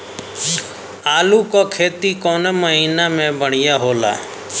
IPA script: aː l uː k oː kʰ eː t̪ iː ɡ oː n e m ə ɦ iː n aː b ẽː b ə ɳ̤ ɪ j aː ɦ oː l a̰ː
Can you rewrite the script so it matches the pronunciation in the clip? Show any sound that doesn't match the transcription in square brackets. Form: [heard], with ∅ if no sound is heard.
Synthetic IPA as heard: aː l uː k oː kʰ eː t̪ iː [k] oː n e m ə ɦ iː n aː [m] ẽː b ə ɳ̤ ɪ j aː ɦ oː l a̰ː